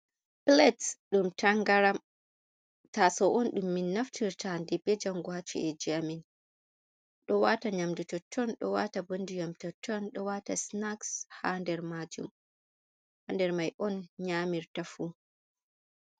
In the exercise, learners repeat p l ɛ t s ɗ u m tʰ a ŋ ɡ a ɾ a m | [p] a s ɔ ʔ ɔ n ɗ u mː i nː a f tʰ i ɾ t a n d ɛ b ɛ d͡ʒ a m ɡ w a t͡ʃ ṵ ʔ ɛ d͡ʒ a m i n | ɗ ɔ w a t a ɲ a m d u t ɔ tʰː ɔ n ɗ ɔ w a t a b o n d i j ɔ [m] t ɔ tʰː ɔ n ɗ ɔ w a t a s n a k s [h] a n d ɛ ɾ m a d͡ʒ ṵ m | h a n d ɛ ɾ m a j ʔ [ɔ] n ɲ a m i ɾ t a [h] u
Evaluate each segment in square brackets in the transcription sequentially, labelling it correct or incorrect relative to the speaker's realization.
incorrect, correct, correct, correct, incorrect

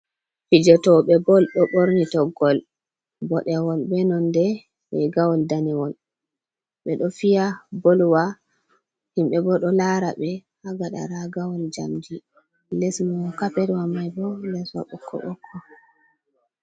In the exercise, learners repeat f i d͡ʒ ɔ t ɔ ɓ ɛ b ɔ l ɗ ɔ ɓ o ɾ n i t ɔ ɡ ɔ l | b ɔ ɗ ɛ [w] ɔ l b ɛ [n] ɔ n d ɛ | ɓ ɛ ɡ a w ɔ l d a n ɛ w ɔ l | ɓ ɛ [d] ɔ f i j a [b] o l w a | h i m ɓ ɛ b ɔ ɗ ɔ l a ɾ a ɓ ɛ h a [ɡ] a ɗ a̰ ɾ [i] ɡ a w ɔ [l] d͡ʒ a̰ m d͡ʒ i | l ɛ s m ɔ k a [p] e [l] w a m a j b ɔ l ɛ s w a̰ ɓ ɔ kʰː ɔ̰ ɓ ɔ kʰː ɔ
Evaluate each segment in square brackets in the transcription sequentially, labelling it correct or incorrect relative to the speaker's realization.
correct, correct, incorrect, correct, correct, incorrect, correct, correct, incorrect

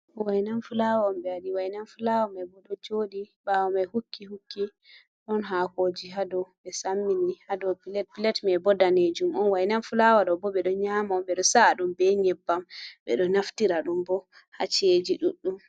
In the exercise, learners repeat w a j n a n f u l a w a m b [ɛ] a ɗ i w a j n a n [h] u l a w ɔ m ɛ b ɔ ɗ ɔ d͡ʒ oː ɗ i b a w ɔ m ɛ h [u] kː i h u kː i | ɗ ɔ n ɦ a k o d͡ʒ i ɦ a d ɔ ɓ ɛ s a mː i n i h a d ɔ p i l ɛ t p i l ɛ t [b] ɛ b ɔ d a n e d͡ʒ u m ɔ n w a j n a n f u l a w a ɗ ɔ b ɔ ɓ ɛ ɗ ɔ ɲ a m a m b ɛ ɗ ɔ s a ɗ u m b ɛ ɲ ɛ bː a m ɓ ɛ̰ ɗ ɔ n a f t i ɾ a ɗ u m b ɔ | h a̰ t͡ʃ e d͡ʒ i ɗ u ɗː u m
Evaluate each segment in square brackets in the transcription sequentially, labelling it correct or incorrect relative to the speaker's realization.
correct, incorrect, correct, incorrect

